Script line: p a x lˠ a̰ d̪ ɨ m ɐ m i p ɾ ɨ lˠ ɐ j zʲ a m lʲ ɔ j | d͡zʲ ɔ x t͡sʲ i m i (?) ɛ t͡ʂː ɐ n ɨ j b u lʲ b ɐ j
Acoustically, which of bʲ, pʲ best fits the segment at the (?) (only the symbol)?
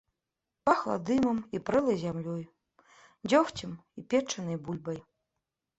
pʲ